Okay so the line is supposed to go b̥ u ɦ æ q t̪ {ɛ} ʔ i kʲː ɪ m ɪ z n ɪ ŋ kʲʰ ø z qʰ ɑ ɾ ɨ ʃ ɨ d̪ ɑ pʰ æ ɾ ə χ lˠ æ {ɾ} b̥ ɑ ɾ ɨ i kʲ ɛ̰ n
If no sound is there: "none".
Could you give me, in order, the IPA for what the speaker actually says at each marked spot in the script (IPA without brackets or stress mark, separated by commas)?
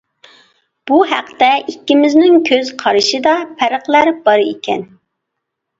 ɛ, ɾ